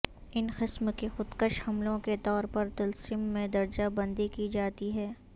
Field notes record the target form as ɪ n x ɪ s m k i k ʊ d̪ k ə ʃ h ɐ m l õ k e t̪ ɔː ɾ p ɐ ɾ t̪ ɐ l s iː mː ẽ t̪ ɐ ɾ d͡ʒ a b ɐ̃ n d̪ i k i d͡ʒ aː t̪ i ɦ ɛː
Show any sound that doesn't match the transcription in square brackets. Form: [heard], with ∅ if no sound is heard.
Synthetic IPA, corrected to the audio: ɪ n x ɪ s m k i [x] ʊ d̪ k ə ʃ h ɐ m l õ k e t̪ ɔː ɾ p ɐ ɾ t̪ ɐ l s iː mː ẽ [d̪] ɐ ɾ d͡ʒ a b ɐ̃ n d̪ i k i d͡ʒ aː t̪ i ɦ ɛː